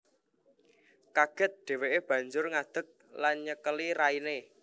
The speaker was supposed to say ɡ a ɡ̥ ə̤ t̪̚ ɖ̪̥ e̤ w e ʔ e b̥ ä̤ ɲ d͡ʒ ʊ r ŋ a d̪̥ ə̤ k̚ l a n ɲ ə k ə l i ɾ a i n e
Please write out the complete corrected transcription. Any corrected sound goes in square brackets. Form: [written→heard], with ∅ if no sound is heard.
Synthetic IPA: [ɡ→k] a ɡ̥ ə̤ t̪̚ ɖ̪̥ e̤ w e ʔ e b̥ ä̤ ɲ d͡ʒ ʊ r ŋ a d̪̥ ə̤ k̚ l a n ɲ ə k ə l i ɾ a i n e